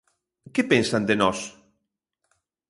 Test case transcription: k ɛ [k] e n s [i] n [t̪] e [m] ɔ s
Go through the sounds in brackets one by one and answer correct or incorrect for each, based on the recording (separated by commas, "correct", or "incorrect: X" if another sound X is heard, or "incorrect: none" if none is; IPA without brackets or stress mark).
incorrect: p, incorrect: a, incorrect: d̪, incorrect: n